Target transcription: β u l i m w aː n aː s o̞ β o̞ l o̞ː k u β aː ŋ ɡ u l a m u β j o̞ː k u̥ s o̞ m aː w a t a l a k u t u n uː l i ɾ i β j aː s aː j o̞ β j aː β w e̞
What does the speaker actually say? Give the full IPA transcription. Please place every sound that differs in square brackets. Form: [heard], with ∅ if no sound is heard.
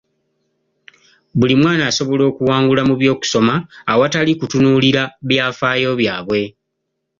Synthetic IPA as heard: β u l i m w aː n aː s o̞ β o̞ l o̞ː k u [w] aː ŋ ɡ u l a m u β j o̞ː k u̥ s o̞ m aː w a t a l [i] k u t u n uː l i ɾ [a] β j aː [f] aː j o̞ β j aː β w e̞

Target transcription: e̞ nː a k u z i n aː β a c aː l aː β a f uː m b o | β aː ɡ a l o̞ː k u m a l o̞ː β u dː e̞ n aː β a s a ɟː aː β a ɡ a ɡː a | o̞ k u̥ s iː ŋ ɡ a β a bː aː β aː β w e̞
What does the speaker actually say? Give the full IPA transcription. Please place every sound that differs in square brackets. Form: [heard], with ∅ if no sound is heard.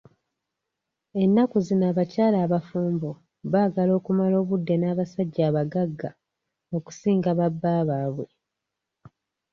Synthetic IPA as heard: e̞ nː a k u z i n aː β a c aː l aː β a f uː m b o | β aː ɡ a l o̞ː k u m a l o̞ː β u dː e̞ n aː β a s a ɟː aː β a ɡ a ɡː a | o̞ k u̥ s iː ŋ ɡ a β a bː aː β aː β w e̞

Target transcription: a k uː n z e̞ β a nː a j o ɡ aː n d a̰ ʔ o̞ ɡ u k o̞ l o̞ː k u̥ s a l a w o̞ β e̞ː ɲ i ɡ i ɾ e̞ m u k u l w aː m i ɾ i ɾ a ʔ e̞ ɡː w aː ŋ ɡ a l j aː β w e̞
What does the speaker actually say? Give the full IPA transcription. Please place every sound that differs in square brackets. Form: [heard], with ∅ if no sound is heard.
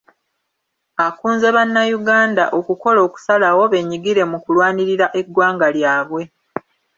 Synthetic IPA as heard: a k uː n z e̞ β a nː a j [u] ɡ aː n d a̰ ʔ o̞ [k] u k o̞ l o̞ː k u̥ s a l a w o̞ β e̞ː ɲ i ɡ i ɾ e̞ m u k u l w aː [n] i ɾ i ɾ a ʔ e̞ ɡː w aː ŋ ɡ a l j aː β w e̞

